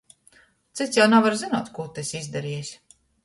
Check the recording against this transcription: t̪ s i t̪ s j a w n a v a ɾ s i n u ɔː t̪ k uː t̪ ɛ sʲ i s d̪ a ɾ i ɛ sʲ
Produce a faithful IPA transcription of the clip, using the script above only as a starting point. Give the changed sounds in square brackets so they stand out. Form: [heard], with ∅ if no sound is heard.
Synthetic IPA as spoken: t̪ s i t̪ s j a w n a v a ɾ [z] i n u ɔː t̪ k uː t̪ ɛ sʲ i [z] d̪ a ɾ i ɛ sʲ